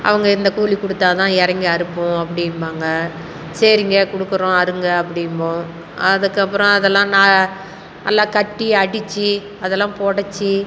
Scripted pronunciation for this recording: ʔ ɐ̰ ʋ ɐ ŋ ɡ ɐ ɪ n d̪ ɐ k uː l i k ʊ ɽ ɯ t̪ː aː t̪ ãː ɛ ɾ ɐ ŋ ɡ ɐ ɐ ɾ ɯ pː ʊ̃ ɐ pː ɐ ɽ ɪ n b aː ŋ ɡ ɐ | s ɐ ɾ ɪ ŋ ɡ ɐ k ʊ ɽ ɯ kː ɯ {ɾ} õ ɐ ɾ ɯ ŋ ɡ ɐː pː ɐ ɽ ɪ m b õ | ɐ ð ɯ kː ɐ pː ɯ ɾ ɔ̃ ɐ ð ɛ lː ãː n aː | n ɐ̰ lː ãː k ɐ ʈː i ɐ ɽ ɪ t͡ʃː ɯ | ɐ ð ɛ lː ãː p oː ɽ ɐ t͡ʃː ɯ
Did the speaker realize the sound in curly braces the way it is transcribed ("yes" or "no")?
yes